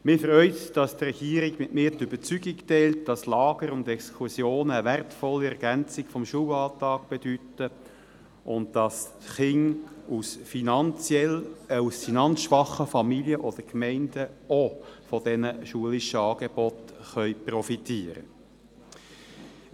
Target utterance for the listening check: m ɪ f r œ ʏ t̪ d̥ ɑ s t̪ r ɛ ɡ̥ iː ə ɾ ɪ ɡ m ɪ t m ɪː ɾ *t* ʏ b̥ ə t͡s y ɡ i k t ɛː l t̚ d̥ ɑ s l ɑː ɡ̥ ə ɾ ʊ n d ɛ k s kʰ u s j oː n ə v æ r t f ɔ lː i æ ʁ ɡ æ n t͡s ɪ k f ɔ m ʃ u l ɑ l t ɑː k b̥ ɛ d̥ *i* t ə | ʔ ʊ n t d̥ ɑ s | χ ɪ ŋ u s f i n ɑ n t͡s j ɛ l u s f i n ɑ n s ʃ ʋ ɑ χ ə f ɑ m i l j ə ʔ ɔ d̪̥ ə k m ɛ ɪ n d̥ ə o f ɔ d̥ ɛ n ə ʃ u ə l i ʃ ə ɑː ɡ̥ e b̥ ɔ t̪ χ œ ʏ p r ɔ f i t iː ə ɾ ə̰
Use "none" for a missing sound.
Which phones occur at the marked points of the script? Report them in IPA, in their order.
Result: t, y

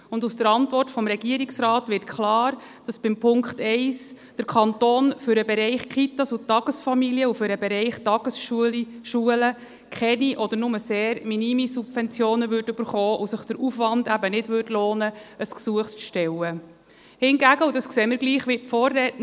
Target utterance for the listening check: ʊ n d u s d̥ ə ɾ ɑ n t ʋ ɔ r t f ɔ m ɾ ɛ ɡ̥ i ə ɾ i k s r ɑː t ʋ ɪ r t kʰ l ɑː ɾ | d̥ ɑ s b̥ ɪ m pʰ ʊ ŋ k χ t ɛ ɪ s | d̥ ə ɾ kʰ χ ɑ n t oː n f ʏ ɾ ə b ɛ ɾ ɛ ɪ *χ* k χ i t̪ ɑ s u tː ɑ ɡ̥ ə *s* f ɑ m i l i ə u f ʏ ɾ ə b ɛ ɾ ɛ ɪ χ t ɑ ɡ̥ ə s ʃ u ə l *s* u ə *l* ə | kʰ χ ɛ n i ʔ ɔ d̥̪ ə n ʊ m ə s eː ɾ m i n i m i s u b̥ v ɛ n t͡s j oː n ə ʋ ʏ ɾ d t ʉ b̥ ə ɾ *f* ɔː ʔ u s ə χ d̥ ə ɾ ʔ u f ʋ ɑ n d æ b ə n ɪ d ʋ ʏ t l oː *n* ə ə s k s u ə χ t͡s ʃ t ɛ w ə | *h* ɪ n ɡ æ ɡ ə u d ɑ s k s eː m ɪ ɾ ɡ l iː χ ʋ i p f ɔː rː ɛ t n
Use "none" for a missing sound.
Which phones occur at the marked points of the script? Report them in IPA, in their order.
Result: χ, s, ʃ, l, χ, n, h

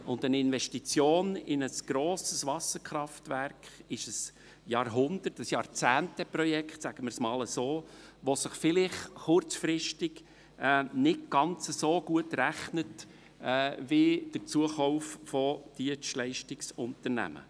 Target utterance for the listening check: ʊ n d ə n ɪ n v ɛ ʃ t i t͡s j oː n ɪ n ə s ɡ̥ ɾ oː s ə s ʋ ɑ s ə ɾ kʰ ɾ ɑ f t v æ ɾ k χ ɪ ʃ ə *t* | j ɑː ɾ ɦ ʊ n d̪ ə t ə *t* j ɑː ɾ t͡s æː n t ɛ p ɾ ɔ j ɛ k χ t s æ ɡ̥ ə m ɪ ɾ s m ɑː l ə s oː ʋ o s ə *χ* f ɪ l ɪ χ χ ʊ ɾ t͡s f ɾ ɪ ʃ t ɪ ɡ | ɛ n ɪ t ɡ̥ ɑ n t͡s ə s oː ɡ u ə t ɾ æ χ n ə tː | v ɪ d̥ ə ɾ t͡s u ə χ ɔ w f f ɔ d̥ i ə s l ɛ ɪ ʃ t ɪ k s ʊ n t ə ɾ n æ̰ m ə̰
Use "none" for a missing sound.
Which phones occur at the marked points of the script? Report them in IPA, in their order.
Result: s, s, χ

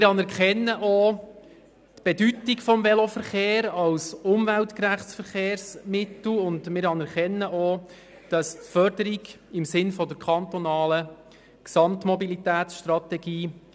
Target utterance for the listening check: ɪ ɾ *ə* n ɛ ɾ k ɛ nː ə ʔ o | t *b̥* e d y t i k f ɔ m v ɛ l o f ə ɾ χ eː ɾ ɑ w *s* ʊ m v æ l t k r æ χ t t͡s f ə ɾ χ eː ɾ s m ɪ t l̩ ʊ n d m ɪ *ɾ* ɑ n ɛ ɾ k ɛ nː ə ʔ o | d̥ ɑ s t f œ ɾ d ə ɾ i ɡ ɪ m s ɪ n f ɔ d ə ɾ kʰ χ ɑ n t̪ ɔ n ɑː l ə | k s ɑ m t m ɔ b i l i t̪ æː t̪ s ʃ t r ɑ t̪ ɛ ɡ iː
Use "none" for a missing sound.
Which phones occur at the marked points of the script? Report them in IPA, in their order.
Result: ɑ, b̥, s, ɾ

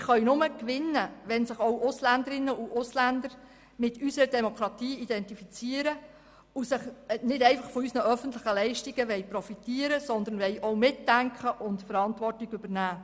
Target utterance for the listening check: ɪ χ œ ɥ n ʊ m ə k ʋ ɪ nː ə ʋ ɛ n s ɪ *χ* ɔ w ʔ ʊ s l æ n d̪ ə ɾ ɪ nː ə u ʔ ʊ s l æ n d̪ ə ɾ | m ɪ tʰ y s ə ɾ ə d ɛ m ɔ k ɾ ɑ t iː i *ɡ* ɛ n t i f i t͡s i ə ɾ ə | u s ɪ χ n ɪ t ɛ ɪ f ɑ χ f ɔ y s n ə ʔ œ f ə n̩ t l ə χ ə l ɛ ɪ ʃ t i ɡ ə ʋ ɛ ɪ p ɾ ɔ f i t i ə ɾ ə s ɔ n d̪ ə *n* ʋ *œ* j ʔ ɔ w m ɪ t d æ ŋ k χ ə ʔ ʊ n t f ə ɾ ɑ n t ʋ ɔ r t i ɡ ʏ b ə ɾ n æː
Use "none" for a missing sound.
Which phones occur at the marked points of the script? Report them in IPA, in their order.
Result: χ, d, n, ɛ

